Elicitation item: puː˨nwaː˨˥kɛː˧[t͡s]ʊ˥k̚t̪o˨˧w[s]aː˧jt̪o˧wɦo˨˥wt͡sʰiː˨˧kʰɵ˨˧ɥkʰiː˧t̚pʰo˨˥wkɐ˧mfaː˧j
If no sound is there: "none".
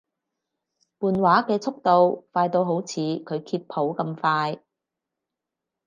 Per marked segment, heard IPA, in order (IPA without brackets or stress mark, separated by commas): t͡sʰ, f